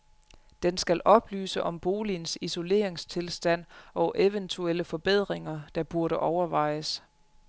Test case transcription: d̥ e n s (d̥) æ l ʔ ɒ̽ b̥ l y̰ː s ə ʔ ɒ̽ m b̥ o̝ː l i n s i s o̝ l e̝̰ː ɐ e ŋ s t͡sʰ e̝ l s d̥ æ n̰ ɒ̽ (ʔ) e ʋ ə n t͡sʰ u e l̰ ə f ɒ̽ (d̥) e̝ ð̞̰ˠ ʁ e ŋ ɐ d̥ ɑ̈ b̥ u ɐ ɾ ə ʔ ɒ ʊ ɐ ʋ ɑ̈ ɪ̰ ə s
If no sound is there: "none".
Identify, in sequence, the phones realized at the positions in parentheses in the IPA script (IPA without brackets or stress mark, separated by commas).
ɡ̥, ʔ, b̥